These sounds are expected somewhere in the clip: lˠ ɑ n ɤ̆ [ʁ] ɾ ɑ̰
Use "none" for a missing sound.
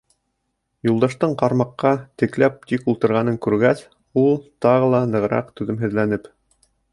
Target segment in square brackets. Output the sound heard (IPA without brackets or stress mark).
ʁ